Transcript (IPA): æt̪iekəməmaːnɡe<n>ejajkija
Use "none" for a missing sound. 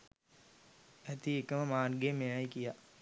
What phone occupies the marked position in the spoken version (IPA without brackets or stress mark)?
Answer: m